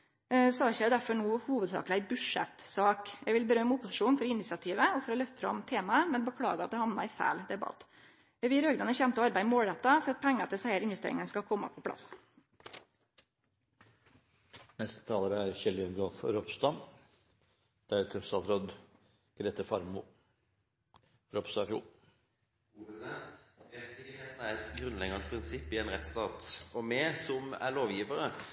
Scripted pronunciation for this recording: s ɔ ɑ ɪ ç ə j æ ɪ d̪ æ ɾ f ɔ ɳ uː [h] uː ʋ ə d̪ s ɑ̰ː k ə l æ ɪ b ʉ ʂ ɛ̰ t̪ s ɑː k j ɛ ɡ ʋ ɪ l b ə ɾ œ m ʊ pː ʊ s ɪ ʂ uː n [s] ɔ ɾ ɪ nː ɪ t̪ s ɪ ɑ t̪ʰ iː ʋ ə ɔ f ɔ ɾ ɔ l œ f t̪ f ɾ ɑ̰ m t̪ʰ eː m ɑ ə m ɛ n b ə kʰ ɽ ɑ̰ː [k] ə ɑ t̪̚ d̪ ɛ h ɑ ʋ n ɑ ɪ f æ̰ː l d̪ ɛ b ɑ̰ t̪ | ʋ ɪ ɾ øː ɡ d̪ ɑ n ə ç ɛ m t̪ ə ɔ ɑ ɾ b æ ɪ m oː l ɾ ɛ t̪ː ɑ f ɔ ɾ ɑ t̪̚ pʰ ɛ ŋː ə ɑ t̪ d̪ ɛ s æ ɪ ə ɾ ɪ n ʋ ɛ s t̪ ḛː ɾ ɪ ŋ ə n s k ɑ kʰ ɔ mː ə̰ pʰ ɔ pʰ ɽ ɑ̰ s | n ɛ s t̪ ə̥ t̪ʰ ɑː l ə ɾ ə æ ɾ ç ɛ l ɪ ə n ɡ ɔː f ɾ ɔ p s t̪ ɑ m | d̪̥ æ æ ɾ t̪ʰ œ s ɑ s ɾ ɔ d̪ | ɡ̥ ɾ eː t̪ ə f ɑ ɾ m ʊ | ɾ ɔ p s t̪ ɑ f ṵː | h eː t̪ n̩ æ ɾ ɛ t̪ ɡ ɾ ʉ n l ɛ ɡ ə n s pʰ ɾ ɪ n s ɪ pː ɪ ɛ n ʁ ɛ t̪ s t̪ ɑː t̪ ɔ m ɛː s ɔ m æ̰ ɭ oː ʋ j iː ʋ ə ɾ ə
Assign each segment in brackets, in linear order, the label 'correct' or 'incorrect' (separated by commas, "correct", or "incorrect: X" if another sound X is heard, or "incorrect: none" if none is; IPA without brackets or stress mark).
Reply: correct, incorrect: f, incorrect: ɡ